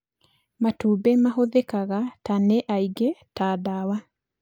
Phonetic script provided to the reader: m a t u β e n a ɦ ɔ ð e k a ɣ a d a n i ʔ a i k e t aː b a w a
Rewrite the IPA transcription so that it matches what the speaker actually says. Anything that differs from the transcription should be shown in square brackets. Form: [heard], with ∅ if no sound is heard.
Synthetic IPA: m a t u [b] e [m] a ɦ [o] ð e k a ɣ a [t] a n [e] ʔ a i [ɡ] e t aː [d] a w a